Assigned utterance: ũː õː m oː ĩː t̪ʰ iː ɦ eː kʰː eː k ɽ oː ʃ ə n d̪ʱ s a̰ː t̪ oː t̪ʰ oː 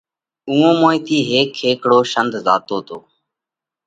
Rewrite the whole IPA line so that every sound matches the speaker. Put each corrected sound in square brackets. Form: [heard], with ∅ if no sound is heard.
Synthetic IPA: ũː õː m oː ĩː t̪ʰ iː ɦ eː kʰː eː k ɽ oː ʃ ə n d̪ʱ [z] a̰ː t̪ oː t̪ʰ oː

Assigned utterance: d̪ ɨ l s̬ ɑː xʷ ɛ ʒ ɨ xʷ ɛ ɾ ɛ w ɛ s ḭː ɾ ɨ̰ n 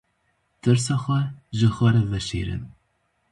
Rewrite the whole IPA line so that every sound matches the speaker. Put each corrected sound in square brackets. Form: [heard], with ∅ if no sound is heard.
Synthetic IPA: [t̪] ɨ [ɾ] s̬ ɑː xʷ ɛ ʒ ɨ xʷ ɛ ɾ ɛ [v] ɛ [ʃ] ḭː ɾ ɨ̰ n

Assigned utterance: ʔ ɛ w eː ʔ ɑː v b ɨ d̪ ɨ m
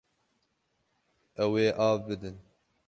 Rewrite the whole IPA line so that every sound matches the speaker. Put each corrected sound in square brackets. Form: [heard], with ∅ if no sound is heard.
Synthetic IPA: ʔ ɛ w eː ʔ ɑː v b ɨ d̪ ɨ [n]

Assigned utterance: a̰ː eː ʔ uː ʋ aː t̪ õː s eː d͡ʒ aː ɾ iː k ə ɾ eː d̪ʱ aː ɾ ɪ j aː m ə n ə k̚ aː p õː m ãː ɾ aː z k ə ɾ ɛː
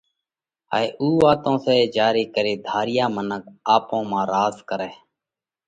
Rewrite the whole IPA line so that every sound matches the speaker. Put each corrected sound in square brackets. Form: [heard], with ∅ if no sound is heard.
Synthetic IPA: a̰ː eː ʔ uː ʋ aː t̪ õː s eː d͡ʒ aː ɾ iː k ə ɾ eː d̪ʱ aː ɾ ɪ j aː m ə n ə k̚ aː p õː m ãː ɾ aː z k ə ɾ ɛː

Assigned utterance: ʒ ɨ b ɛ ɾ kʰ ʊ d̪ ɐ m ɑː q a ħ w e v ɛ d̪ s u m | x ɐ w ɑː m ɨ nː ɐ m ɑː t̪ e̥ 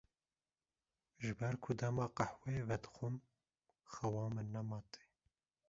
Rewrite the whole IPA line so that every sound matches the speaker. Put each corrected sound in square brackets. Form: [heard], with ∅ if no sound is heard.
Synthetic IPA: ʒ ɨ b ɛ ɾ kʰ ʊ d̪ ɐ m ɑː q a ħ w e v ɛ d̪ [x] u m | x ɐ w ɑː m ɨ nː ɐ m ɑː t̪ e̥

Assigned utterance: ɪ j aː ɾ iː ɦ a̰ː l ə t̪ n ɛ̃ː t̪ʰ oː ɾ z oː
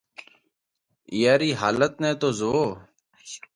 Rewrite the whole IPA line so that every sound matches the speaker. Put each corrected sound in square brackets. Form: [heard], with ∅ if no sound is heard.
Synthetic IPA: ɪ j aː ɾ iː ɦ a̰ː l ə t̪ n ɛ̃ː [t̪] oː [∅] z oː

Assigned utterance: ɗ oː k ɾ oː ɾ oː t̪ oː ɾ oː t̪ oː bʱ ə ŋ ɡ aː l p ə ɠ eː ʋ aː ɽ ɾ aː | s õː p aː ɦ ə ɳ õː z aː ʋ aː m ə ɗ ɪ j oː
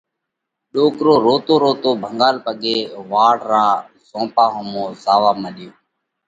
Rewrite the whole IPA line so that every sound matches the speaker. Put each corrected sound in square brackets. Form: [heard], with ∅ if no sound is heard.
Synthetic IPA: ɗ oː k ɾ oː ɾ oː t̪ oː ɾ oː t̪ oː bʱ ə ŋ ɡ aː l p ə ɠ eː ʋ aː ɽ ɾ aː | [z] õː p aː ɦ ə [m] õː z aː ʋ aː m ə ɗ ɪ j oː

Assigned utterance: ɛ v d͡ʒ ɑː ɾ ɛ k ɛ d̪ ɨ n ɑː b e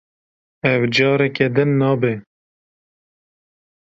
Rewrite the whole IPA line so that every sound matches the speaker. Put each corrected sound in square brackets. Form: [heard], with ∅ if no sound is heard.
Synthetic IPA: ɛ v d͡ʒ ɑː ɾ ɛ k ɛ d̪ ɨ [nː] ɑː b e

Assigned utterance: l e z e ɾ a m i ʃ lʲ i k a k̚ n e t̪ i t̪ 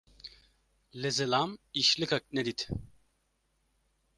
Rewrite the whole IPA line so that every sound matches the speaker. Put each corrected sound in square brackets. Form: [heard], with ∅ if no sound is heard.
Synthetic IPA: l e z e [l] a m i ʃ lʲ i k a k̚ n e [d̪] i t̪

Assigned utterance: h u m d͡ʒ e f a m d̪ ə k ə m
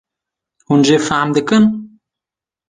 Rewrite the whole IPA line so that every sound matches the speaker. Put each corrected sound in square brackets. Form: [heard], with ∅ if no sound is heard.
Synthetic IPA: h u [n] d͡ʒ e f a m d̪ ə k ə [n]

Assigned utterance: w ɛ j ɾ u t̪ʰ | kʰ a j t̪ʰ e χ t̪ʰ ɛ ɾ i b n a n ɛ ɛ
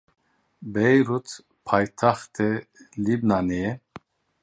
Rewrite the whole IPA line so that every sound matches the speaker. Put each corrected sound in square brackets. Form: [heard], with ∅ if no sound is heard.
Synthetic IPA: [b] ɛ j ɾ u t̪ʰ | [pʰ] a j t̪ʰ [a] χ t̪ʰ ɛ [l] i b n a n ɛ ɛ

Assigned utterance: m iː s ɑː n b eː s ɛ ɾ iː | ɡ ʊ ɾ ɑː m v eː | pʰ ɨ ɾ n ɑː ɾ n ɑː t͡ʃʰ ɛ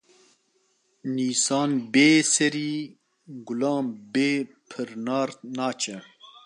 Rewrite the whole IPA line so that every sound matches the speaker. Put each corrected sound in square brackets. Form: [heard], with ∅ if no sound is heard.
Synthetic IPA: [n] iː s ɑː n b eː s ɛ ɾ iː | ɡ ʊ [l] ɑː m [b] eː | pʰ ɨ ɾ n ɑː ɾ n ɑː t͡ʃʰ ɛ

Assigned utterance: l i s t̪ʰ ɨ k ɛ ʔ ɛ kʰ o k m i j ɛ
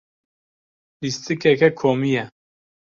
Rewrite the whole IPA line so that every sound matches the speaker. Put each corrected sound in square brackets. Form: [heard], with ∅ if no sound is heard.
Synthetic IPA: l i s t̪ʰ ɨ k ɛ [k] ɛ kʰ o [∅] m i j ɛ

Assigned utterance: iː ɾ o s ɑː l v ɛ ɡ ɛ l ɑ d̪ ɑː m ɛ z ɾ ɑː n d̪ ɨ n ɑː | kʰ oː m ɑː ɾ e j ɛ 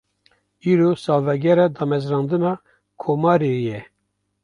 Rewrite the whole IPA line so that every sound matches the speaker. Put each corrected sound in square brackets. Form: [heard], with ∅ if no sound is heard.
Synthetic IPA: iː ɾ o s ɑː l v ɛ ɡ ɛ [ɾ] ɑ d̪ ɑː m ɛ z ɾ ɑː n d̪ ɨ n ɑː | kʰ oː m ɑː ɾ e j ɛ

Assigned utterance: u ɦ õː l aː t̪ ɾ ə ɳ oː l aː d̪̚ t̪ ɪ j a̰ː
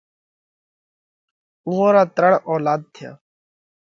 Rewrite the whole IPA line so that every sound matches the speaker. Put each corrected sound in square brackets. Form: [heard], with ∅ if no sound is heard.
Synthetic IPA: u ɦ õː [ɾ] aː t̪ ɾ ə ɳ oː l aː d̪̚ [t̪ʰ] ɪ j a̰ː

